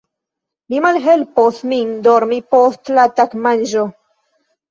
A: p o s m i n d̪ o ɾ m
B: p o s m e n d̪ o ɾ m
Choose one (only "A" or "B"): A